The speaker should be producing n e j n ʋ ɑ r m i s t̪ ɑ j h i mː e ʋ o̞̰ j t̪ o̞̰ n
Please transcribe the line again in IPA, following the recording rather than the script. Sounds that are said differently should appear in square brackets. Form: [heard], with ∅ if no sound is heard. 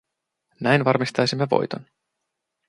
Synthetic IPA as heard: n [æ] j n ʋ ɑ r m i s t̪ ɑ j [s] i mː e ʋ o̞̰ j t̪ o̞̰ n